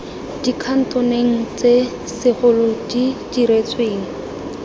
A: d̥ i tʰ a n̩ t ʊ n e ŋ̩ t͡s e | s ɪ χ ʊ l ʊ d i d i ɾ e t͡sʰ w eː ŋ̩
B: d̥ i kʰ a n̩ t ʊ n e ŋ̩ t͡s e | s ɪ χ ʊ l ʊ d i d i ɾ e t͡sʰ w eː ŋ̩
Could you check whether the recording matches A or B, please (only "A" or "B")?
B